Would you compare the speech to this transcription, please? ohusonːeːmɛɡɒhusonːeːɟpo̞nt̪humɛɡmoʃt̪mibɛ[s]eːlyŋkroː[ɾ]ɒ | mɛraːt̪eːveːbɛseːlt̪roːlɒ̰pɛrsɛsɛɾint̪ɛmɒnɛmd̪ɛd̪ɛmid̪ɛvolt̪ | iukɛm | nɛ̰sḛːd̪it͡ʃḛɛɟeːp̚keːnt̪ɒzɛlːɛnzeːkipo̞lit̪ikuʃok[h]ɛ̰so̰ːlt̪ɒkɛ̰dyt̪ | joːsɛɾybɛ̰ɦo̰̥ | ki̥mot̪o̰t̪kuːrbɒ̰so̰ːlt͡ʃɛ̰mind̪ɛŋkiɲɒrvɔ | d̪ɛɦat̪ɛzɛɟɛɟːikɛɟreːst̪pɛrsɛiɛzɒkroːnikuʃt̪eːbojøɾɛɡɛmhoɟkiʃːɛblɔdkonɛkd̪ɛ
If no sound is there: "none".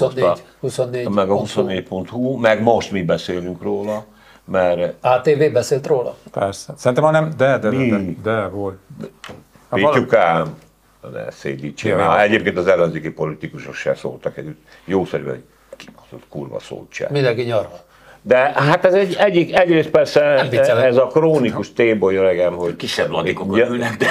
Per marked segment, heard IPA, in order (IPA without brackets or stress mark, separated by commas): s, l, ʃ